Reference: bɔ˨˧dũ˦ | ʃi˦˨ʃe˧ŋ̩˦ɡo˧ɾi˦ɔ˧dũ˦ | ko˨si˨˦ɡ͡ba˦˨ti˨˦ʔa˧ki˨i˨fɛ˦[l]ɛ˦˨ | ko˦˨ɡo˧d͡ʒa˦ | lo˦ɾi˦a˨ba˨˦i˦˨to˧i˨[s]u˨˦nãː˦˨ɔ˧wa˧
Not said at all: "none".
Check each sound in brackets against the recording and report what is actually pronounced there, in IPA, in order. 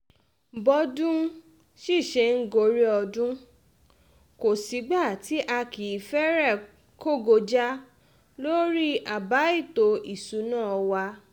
ɾ, s

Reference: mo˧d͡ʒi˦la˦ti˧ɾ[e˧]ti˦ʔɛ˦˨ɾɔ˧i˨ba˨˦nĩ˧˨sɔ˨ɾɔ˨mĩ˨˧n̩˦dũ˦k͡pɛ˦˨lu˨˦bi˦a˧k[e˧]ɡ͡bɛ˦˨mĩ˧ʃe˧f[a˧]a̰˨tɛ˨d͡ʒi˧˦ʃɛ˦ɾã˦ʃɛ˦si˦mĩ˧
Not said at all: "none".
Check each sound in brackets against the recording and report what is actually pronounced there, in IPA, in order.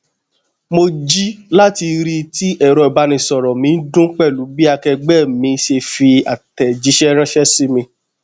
i˧, ɛ˧, i˧

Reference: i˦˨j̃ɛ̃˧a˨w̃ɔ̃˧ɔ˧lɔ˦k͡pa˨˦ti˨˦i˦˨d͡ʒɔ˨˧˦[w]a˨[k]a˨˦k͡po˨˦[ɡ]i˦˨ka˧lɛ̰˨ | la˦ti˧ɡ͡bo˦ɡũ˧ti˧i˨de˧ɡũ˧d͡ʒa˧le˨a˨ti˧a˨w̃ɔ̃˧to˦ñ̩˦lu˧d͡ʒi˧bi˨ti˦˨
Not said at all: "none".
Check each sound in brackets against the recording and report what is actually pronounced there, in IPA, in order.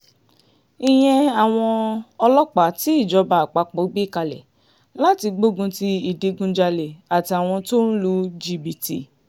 b, k͡p, ɡ͡b

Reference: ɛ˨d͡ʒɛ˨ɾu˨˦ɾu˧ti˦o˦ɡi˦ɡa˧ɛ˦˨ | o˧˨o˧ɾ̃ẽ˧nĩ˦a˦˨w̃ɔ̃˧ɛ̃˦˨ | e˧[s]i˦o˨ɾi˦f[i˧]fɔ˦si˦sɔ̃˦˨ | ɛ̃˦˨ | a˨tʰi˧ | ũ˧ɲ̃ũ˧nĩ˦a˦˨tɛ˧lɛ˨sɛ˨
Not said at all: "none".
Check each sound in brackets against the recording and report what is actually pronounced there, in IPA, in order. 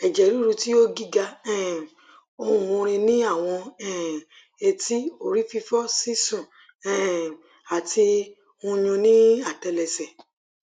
t, i˧

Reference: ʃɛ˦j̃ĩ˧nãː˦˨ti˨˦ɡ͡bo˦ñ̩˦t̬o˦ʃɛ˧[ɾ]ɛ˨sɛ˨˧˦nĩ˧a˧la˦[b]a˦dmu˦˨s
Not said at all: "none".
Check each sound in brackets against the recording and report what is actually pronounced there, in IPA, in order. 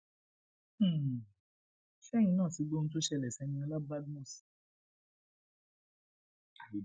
l, b

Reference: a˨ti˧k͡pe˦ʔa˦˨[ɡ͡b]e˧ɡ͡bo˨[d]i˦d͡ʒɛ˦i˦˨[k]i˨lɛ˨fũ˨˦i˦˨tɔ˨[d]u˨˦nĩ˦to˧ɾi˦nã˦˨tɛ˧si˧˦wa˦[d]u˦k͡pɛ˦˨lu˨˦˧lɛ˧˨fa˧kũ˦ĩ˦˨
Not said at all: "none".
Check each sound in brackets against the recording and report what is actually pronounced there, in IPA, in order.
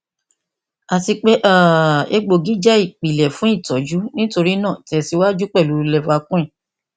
none, ɡ, k͡p, d͡ʒ, d͡ʒ

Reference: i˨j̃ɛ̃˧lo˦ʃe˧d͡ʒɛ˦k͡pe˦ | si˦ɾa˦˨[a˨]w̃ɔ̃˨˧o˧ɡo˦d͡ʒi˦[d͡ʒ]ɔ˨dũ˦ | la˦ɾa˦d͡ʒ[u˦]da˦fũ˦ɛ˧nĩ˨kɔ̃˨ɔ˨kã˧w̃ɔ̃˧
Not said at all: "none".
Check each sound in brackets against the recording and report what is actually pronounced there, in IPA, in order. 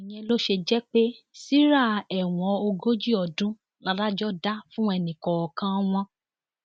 ɛ˨, none, ɔ˦

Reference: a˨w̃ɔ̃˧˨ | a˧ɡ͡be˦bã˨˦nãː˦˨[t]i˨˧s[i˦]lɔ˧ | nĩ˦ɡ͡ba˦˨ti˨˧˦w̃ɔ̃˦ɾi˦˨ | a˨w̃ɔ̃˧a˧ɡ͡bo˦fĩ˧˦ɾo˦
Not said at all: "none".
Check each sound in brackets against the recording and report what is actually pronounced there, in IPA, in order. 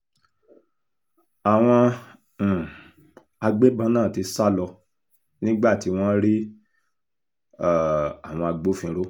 t, a˦

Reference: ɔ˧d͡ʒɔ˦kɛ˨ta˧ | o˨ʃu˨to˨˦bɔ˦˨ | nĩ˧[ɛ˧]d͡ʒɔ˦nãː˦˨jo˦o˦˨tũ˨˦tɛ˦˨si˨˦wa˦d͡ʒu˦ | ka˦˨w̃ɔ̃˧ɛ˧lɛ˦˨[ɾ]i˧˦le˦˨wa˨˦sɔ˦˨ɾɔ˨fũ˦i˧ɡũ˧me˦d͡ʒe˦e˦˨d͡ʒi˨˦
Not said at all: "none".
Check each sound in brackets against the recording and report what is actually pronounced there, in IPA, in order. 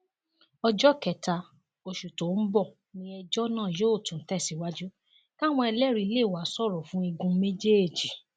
ɛ˧, ɾ

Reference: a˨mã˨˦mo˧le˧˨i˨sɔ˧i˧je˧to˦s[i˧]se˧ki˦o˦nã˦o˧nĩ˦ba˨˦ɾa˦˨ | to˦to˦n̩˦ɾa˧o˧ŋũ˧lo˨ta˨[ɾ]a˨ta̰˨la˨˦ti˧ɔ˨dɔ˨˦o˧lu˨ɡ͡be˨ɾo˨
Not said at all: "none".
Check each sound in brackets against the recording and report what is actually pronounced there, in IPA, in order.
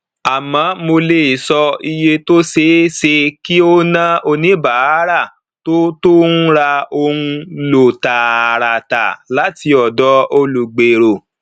e˧, ɾ

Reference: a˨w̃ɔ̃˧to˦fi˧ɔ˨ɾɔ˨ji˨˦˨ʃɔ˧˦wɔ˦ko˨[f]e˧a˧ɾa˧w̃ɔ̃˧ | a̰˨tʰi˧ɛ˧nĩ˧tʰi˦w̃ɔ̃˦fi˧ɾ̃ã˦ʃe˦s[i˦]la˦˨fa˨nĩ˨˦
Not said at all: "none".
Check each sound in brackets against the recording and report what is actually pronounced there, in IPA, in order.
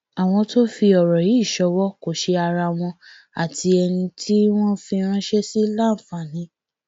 ʃ, i˦

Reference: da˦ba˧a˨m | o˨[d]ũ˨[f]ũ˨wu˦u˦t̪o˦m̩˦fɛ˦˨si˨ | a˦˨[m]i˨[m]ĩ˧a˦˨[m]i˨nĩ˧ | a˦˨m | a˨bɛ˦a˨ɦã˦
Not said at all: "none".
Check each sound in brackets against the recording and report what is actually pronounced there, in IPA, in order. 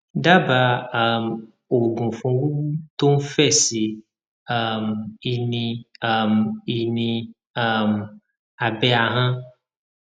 ɡ, f, m, n, m

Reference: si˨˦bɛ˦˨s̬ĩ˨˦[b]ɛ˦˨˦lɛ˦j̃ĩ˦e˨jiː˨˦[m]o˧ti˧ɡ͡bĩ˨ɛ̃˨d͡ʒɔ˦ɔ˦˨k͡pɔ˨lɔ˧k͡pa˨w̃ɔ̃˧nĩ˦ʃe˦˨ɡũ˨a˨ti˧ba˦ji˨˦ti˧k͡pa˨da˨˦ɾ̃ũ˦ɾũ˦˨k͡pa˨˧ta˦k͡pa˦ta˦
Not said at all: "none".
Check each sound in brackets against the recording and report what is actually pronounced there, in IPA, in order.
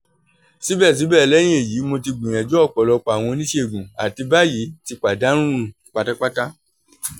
b, m

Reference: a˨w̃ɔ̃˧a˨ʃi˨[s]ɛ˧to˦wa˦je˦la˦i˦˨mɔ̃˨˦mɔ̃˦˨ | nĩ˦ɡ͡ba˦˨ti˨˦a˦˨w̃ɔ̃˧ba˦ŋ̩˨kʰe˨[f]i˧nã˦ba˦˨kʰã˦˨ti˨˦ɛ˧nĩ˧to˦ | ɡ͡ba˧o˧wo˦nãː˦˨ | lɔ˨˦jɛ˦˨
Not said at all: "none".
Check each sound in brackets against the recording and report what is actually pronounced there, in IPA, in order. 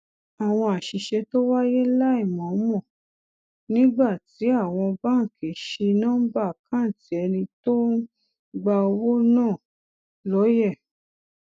ʃ, ʃ

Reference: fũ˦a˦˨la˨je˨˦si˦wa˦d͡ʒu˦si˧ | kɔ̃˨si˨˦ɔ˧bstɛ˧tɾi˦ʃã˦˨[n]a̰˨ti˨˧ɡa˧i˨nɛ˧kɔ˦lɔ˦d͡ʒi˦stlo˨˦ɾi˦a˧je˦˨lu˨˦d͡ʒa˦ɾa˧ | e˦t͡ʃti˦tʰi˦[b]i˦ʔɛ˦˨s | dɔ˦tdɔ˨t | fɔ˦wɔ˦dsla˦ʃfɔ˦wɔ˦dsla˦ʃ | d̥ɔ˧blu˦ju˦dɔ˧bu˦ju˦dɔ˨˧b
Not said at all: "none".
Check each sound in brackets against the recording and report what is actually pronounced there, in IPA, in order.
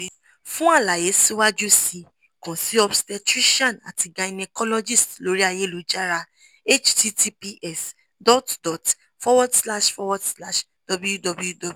n, p

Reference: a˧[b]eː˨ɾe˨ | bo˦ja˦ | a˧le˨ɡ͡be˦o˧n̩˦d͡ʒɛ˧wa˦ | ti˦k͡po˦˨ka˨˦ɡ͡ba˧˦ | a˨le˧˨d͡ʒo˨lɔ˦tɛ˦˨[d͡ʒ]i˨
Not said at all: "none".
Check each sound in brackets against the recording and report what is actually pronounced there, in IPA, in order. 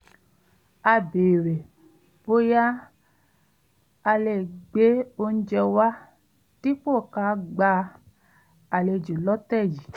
b, d͡ʒ

